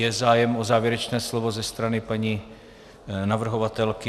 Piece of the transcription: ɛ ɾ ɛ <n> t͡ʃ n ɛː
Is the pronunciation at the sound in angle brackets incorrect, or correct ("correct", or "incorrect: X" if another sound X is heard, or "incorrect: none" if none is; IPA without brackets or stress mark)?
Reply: incorrect: none